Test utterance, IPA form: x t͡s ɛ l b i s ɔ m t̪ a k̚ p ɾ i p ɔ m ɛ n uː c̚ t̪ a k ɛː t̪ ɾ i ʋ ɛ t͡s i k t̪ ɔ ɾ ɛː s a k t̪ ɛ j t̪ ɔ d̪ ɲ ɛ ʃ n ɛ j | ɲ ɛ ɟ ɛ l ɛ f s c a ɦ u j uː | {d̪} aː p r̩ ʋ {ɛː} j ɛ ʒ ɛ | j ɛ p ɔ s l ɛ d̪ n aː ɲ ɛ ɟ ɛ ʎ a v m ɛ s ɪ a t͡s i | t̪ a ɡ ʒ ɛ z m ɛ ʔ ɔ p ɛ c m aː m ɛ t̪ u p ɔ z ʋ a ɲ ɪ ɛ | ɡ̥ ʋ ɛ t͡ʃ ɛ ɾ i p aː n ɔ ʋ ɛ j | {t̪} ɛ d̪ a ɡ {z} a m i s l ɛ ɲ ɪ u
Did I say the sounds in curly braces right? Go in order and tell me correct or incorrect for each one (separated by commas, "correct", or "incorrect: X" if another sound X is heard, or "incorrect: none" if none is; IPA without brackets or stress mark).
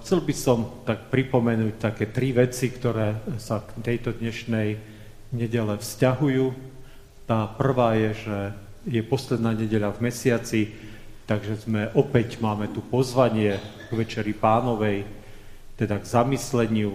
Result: incorrect: t̪, incorrect: aː, correct, correct